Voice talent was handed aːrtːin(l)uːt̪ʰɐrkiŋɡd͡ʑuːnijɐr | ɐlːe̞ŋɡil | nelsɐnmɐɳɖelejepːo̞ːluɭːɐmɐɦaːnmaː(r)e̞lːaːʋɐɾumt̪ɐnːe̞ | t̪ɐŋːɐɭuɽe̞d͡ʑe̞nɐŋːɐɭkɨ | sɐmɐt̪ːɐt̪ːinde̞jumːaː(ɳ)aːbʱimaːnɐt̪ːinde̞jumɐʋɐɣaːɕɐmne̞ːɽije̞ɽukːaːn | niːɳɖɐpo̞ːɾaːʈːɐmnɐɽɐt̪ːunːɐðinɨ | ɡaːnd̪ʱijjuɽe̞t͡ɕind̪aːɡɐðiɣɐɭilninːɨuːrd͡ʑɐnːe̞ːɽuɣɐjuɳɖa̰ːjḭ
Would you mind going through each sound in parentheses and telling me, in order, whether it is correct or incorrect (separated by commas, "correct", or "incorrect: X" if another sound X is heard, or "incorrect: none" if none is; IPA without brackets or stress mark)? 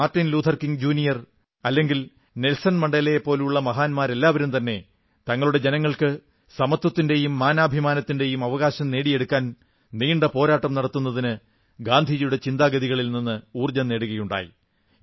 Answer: correct, incorrect: ɾ, incorrect: n